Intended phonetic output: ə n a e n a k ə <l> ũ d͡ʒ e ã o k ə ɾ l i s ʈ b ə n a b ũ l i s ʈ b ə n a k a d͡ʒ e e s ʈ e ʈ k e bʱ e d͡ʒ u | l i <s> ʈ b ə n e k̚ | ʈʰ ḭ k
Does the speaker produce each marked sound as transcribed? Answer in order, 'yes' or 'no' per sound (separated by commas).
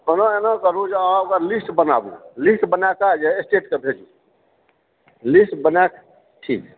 no, yes